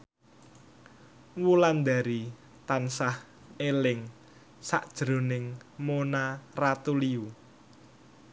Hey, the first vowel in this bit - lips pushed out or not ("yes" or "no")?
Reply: yes